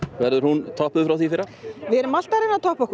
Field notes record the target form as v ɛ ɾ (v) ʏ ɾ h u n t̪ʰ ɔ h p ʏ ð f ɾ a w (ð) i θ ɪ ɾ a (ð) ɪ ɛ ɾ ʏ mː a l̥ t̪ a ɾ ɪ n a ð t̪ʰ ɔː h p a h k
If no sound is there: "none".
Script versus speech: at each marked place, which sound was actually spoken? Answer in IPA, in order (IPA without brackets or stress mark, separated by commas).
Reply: ð, θ, v